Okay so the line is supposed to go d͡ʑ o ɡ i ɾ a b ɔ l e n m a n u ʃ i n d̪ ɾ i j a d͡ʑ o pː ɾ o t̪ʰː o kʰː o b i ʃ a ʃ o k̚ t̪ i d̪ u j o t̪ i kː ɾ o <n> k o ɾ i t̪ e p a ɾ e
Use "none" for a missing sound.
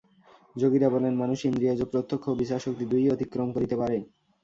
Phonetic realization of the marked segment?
m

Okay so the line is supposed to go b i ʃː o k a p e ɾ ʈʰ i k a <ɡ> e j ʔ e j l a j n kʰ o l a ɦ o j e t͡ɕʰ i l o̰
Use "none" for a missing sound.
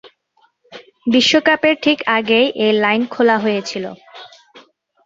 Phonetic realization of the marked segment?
ɡ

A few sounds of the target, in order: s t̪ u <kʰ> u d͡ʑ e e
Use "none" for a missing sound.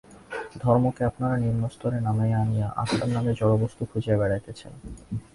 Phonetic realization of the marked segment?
kʰ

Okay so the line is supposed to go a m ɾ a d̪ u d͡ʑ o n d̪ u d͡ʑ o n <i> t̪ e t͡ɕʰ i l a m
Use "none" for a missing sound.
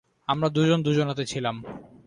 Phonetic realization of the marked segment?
a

